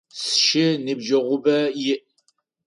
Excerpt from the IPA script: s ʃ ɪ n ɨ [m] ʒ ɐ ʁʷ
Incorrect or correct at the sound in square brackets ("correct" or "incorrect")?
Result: incorrect